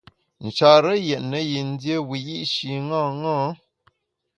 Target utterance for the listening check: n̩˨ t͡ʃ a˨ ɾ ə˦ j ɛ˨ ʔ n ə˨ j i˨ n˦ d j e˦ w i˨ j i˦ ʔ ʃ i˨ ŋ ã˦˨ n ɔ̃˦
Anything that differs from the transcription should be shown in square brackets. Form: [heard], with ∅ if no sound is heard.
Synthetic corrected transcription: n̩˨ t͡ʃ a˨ ɾ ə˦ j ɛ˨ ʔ n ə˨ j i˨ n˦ d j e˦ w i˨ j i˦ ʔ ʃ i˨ ŋ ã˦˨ [ŋ] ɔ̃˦